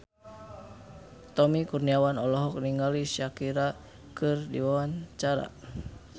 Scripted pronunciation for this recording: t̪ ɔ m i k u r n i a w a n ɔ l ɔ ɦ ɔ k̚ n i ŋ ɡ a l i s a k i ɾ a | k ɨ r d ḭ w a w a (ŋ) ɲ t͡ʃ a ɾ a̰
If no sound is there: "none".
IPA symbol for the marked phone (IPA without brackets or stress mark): none